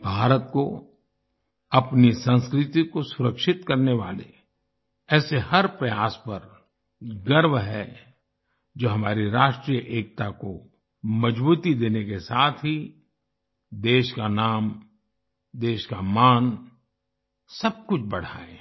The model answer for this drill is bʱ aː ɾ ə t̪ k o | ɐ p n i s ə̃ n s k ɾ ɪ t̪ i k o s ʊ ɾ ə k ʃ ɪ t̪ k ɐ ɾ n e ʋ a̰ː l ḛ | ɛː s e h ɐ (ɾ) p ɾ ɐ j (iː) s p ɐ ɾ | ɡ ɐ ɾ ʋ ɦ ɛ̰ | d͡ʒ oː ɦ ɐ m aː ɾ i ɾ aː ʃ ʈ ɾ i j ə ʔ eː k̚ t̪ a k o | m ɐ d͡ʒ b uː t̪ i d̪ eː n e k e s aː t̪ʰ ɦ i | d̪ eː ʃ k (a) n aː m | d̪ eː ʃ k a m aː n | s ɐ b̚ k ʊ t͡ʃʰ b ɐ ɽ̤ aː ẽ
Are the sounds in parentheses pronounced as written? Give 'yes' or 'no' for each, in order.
yes, no, yes

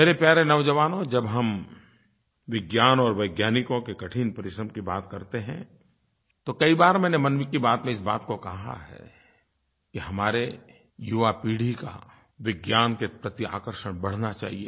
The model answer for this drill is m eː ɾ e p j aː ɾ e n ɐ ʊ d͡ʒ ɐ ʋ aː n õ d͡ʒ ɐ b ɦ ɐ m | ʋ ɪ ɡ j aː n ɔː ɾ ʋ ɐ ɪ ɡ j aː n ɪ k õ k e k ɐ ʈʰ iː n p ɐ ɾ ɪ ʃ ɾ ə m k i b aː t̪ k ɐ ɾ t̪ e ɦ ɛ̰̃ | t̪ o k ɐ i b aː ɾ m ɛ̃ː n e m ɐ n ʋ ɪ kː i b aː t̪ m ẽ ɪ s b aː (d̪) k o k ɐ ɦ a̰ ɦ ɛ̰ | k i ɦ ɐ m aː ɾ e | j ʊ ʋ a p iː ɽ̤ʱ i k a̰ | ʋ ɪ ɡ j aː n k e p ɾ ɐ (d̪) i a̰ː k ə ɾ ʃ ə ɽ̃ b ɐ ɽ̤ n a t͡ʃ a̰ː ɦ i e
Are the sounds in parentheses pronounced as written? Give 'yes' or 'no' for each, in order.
no, no

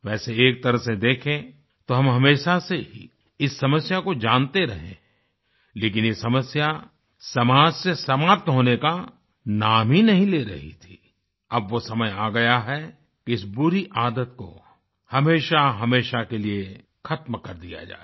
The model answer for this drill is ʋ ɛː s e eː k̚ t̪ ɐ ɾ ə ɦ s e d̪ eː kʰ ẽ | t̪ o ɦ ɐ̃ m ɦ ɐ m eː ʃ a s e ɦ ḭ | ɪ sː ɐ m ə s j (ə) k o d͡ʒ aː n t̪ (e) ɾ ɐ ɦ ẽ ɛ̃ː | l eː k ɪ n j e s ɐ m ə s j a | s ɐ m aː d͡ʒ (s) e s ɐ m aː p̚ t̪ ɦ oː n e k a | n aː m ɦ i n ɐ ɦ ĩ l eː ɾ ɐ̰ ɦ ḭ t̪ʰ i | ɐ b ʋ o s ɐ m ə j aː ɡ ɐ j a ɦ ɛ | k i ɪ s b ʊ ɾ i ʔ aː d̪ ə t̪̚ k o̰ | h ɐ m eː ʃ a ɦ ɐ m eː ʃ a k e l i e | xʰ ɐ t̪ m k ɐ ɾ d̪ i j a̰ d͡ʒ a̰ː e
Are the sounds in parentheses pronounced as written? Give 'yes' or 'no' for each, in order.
no, yes, yes

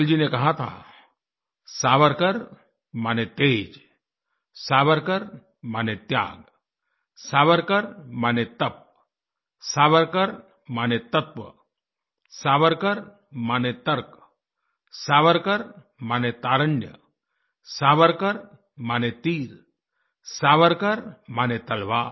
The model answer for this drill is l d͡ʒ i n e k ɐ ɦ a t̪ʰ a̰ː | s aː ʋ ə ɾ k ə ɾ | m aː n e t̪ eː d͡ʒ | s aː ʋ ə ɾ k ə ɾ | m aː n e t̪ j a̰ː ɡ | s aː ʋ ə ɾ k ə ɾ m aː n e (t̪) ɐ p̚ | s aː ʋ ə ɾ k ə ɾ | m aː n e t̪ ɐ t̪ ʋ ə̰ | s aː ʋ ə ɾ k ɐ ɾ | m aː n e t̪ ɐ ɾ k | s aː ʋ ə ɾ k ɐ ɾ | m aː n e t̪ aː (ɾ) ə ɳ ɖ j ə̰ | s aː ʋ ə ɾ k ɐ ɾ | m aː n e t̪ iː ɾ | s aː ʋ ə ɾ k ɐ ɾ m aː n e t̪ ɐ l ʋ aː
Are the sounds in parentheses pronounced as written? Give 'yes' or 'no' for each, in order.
yes, yes

